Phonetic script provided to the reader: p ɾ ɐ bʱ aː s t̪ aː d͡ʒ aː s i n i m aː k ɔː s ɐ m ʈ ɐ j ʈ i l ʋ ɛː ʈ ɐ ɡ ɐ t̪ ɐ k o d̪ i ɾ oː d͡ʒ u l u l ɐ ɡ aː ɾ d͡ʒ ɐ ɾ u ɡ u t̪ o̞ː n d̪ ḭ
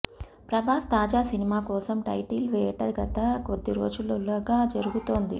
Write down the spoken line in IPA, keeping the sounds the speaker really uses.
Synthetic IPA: p ɾ ɐ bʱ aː s t̪ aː d͡ʒ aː s i n i m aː k ɔː s ɐ m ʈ ɐ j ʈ i l ʋ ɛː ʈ ɐ ɡ ɐ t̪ ɐ k o d̪ː i ɾ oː d͡ʒ u l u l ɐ ɡ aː d͡ʒ ɐ ɾ u ɡ u t̪ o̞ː n d̪ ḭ

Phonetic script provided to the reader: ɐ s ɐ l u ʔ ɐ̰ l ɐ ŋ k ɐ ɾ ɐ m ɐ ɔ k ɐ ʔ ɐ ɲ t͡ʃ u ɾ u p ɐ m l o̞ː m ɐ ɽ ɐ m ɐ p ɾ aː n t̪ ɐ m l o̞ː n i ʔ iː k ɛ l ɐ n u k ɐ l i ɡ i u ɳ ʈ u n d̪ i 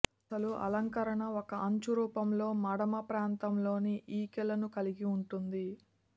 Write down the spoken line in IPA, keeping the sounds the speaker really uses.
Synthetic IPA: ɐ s ɐ l u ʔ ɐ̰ l ɐ ŋ k ɐ ɾ ɐ ɳ ɐ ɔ k ɐ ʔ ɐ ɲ t͡ʃ u ɾ uː p ɐ m l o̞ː m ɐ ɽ ɐ m ɐ p ɾ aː n t̪ ɐ m l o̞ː n i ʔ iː k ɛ l ɐ n u k ɐ l i ɡ i u ɳ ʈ u n d̪ i

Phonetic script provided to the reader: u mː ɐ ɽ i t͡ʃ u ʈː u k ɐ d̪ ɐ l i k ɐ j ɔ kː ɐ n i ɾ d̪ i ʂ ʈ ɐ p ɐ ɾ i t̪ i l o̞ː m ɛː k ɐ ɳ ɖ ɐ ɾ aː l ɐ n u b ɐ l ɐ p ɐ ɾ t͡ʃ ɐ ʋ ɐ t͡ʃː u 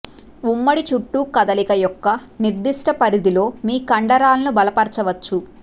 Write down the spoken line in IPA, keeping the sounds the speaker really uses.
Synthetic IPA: u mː ɐ ɽ i t͡ʃ u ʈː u k ɐ d̪ ɐ l i k ɐ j ɔ kː ɐ n i ɾ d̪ i ʂ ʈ ɐ p ɐ ɾ i d̪ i l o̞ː m iː k ɐ ɳ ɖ ɐ ɾ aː l ɐ n u b ɐ l ɐ p ɐ ɾ t͡ʃ ɐ ʋ ɐ t͡ʃː u

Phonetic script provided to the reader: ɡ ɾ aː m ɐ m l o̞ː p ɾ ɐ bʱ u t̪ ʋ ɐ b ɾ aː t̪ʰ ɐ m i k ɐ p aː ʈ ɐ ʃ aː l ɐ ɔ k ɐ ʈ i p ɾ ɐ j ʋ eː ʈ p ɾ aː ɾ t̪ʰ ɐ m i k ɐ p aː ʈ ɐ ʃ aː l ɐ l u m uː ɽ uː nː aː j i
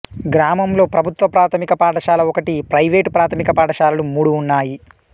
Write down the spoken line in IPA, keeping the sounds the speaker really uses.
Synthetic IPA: ɡ ɾ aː m ɐ m l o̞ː p ɾ ɐ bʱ u t̪ ʋ ɐ p ɾ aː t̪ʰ ɐ m i k ɐ p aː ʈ ɐ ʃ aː l ɐ ɔ k ɐ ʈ i p ɾ ɐ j ʋ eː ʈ p ɾ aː t̪ʰ ɐ m i k ɐ p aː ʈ ɐ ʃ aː l ɐ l u m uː ɽ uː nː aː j i

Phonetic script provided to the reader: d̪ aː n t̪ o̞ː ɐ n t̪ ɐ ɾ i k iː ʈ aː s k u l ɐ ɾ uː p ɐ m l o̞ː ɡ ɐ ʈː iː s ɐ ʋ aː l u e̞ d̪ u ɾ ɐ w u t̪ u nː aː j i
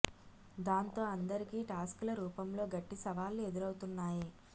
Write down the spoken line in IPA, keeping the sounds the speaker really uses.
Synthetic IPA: d̪ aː n t̪ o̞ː ɐ n d̪ ɐ ɾ i k iː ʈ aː s k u l ɐ ɾ uː p ɐ m l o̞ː ɡ ɐ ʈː i s ɐ ʋ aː l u e̞ d̪ u ɾ ɐ w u t̪ u nː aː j i

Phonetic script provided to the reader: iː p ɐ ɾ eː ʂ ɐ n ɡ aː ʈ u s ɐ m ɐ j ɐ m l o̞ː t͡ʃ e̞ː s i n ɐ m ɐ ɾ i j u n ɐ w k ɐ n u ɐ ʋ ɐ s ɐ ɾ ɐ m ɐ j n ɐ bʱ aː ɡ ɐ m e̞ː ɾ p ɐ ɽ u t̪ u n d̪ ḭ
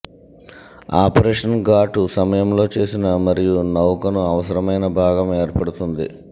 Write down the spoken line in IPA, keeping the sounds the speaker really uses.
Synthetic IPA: aː p ɐ ɾ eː ʂ ɐ n ɡ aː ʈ u s ɐ m ɐ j ɐ m l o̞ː t͡ʃ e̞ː s i n ɐ m ɐ ɾ i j u n ɐ w k ɐ n u ɐ ʋ ɐ s ɐ ɾ ɐ m ɐ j n ɐ bʱ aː ɡ ɐ m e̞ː ɾ p ɐ ɽ u t̪ u n d̪ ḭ

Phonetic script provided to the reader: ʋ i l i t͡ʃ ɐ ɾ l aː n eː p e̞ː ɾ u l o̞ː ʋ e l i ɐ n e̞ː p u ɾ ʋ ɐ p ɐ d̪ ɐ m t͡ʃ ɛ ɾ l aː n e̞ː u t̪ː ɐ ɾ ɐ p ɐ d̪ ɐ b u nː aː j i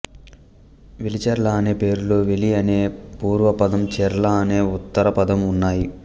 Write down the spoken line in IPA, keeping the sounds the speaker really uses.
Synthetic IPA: ʋ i l i t͡ʃ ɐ ɾ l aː n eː p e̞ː ɾ u l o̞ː ʋ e l i ɐ n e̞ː p uː ɾ ʋ ɐ p ɐ d̪ ɐ m t͡ʃ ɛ ɾ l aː n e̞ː u t̪ː ɐ ɾ ɐ p ɐ d̪ ɐ m u nː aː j i

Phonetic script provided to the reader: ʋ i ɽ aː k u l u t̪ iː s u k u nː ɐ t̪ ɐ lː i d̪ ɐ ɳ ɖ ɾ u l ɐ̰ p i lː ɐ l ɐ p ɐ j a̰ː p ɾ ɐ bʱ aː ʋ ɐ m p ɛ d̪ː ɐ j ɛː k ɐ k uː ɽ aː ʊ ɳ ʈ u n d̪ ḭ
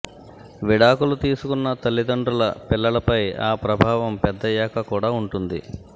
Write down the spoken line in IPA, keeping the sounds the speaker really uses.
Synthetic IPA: ʋ i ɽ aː k u l u t̪ iː s u k u nː ɐ t̪ ɐ lː i d̪ ɐ ɳ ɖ ɾ u l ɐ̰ p i lː ɐ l ɐ p ɐ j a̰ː p ɾ ɐ bʱ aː ʋ ɐ m p ɛ d̪ː ɐ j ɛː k ɐ k uː ɽ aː u ɳ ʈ u n d̪ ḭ

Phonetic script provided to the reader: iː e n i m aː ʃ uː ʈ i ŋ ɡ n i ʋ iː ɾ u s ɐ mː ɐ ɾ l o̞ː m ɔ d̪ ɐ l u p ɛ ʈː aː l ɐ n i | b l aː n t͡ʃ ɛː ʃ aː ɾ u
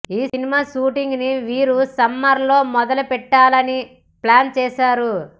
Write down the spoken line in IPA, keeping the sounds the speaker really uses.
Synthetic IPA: iː i n i m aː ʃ uː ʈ i ŋ ɡ n i ʋ iː ɾ u s ɐ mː ɐ ɾ l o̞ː m ɔ d̪ ɐ l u p ɛ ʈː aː l ɐ n i | p l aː n t͡ʃ ɛː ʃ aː ɾ u

